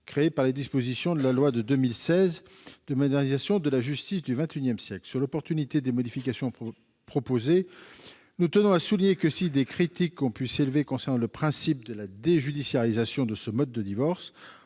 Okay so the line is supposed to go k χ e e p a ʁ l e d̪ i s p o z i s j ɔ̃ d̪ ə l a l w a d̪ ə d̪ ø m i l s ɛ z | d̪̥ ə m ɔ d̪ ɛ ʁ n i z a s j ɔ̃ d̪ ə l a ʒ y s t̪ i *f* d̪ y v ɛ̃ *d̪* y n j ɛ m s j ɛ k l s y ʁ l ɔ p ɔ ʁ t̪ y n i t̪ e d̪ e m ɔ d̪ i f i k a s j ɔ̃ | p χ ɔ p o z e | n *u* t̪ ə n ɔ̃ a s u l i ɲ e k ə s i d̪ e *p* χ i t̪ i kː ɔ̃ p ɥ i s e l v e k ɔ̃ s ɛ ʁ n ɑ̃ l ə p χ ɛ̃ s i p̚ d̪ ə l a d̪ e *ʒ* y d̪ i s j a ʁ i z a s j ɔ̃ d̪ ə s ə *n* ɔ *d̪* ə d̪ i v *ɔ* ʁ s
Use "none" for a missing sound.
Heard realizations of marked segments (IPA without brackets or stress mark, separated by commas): s, t̪, u, k, ʒ, m, d̪ː, ɔ